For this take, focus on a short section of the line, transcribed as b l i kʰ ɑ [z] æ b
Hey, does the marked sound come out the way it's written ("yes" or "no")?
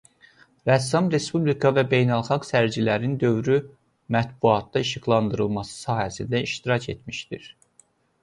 no